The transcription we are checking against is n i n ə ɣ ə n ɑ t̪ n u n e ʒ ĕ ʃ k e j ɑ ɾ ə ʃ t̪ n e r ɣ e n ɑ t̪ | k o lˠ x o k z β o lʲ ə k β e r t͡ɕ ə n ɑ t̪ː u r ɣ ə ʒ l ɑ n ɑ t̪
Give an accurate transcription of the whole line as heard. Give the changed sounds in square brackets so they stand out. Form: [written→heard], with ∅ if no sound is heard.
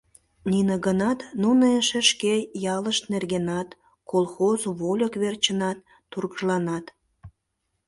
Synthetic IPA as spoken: n i n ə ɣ ə n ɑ t̪ n u n e [ʒ→ʃ] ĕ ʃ k e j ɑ [ɾ→l] ə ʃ t̪ n e r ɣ e n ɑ t̪ | k o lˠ x o [k→∅] z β o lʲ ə k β e r t͡ɕ ə n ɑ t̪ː u r ɣ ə ʒ l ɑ n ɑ t̪